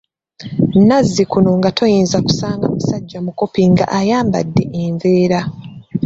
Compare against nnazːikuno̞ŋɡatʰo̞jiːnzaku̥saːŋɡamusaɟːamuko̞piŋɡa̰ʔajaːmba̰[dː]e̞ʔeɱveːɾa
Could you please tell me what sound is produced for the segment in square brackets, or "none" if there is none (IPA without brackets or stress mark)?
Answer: dː